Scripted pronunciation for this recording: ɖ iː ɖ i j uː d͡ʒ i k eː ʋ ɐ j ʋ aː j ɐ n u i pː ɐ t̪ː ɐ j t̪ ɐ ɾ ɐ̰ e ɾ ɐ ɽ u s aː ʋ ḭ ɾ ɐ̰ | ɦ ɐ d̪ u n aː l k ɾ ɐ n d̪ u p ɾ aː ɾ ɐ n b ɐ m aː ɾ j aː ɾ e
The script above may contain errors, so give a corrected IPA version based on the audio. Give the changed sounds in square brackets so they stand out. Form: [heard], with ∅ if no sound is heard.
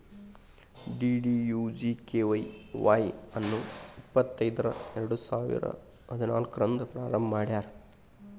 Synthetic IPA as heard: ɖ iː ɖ i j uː d͡ʒ i k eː ʋ ɐ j ʋ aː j ɐ [nː] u i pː ɐ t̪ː ɐ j [d̪] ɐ ɾ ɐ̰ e ɾ ɐ ɽ u s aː ʋ ḭ ɾ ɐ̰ | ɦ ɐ d̪ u n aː l k ɾ ɐ n d̪ u p ɾ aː ɾ ɐ [m] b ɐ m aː [ɽ] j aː ɾ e